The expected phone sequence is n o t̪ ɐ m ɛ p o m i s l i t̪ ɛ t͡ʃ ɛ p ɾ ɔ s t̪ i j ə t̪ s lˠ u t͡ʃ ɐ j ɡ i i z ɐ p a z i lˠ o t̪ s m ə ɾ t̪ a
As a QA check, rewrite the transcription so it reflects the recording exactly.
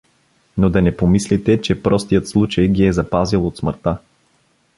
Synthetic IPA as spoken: n o d̪ ɐ n ɛ p o m i s l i t̪ ɛ t͡ʃ ɛ p ɾ ɔ s t̪ i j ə t̪ s lˠ u t͡ʃ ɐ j ɡ i ɛ z ɐ p a z i lˠ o t̪ s m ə ɾ t̪ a